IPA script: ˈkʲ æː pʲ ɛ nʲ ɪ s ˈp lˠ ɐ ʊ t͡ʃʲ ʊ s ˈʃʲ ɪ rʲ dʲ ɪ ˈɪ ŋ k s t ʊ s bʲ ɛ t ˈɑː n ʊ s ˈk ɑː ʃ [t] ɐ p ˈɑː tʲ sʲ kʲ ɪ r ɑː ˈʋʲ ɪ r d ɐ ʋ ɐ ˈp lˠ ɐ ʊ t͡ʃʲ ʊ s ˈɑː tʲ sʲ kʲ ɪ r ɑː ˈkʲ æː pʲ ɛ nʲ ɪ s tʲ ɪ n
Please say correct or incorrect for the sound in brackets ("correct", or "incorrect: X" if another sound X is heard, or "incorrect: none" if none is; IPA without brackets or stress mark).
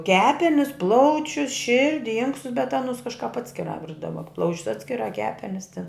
incorrect: k